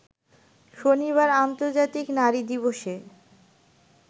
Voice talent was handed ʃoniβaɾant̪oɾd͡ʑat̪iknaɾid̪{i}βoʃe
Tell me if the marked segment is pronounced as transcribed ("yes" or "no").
yes